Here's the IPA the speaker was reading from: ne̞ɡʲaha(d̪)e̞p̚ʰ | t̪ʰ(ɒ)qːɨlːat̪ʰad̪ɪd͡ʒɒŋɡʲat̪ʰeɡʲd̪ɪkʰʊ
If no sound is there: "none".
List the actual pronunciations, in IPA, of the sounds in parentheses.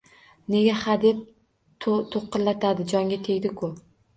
d̪, o

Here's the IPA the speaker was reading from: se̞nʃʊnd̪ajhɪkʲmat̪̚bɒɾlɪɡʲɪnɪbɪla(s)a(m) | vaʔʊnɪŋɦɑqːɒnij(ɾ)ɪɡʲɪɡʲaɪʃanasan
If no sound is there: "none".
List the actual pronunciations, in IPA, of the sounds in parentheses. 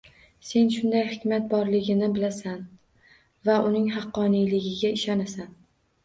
s, n, l

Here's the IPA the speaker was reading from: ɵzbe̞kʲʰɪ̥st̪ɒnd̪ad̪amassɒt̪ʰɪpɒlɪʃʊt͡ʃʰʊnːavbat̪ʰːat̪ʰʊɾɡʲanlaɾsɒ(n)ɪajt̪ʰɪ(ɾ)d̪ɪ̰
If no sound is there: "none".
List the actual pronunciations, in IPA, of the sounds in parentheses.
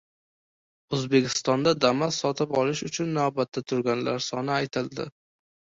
n, l

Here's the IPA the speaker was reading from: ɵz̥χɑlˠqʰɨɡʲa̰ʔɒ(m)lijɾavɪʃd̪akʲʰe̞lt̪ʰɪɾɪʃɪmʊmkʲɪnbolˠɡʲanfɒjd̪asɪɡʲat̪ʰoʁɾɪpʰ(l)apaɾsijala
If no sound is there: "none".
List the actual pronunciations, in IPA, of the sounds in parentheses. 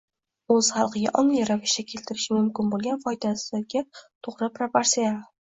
ŋ, ɾ

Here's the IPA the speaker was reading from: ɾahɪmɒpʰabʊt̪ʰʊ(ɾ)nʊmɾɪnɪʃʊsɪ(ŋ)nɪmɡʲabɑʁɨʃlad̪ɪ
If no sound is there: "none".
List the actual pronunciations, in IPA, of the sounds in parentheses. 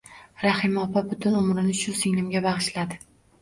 none, ŋ

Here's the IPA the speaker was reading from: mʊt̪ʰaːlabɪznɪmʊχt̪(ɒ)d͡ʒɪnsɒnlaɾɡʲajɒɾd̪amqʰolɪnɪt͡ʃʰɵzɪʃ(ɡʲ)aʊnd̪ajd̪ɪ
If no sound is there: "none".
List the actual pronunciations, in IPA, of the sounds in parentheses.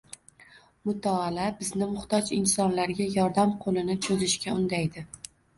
ɒ, kʲ

